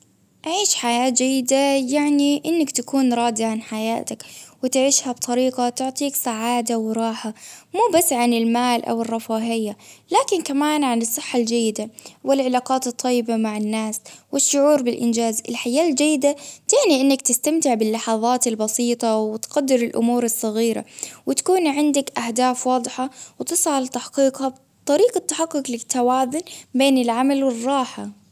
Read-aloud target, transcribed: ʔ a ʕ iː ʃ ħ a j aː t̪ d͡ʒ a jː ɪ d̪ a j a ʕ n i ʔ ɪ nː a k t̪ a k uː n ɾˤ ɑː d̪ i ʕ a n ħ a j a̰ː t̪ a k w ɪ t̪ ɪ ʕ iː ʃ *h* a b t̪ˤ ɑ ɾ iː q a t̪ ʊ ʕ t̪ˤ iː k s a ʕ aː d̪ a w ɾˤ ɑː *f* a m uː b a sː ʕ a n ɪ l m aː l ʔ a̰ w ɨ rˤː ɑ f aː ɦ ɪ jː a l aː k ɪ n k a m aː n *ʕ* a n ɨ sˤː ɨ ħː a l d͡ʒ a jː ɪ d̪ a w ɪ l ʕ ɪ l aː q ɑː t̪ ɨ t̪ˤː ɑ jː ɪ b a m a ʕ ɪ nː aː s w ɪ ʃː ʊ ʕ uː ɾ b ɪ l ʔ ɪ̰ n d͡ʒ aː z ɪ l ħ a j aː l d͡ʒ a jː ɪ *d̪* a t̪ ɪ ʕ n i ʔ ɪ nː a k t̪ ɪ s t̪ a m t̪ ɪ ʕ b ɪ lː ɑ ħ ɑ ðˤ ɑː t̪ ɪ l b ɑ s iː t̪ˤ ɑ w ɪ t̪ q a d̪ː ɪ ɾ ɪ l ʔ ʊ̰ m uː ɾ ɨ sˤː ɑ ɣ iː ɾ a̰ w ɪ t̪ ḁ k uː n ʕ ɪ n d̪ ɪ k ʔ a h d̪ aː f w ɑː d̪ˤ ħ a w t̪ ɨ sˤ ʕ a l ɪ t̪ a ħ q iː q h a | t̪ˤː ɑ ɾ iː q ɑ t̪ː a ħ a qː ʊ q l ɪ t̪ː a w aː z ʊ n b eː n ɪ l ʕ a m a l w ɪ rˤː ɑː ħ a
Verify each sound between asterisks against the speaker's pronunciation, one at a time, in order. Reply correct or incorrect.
correct, incorrect: ħ, correct, correct

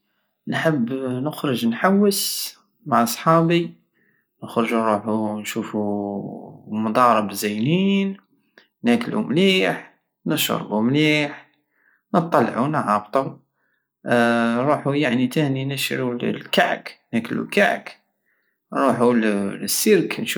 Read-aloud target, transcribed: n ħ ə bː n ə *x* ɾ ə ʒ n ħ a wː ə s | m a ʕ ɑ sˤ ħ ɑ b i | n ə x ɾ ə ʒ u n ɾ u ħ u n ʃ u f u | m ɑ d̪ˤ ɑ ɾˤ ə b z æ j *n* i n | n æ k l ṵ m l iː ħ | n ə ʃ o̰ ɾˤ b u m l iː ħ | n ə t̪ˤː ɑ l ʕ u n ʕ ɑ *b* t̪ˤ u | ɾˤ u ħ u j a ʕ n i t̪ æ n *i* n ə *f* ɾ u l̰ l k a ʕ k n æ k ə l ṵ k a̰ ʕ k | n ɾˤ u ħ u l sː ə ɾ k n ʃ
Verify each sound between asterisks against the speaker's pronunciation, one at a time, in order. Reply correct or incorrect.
correct, correct, correct, correct, incorrect: ʃ

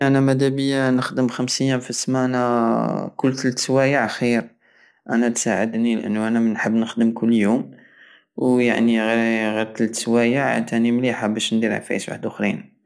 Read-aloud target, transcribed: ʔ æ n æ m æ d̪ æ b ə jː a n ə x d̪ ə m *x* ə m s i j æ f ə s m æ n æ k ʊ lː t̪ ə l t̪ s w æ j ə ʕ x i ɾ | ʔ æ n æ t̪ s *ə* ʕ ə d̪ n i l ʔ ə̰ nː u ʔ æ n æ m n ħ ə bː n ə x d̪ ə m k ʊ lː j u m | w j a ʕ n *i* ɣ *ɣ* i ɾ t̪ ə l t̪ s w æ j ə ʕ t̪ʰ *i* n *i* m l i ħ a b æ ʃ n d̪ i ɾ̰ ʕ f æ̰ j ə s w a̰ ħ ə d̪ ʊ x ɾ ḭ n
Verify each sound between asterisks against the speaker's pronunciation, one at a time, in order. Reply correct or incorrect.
correct, incorrect: a, correct, correct, incorrect: æ, correct

